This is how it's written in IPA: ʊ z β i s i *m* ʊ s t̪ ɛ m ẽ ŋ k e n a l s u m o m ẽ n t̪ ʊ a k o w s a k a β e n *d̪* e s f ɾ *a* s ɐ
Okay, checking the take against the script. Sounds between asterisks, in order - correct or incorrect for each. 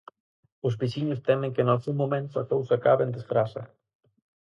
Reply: incorrect: ɲ, correct, correct

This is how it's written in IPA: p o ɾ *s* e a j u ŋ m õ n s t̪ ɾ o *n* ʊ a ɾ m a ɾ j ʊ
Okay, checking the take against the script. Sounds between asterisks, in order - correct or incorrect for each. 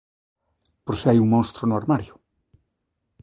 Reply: correct, correct

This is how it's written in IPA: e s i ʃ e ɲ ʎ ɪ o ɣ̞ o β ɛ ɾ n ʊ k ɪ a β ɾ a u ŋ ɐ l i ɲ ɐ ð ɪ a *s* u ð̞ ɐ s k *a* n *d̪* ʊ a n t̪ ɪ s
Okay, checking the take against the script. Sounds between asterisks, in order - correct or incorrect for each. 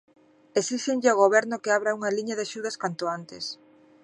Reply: incorrect: ʃ, correct, incorrect: t̪

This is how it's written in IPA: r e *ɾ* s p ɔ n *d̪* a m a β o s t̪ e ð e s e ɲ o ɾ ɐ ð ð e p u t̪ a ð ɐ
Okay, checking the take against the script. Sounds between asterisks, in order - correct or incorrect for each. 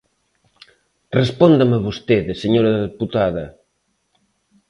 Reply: incorrect: none, correct

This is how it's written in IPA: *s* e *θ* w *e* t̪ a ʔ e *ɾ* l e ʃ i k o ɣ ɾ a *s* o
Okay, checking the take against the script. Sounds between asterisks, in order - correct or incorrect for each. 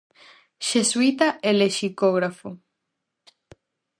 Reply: incorrect: ʃ, incorrect: s, incorrect: i, incorrect: none, incorrect: f

